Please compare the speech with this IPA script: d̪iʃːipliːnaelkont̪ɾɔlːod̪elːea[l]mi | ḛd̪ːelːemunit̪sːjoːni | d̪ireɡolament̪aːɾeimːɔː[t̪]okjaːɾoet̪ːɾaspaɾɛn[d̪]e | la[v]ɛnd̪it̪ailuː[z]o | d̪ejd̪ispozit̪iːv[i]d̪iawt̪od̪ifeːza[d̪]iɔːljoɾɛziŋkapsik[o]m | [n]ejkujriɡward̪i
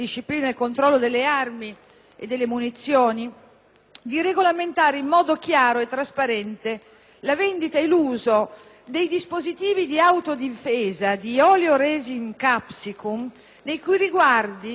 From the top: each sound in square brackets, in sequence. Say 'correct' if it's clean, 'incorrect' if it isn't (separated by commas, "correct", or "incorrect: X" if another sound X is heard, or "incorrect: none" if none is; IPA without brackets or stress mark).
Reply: incorrect: r, incorrect: d̪, incorrect: t̪, correct, correct, correct, correct, incorrect: u, correct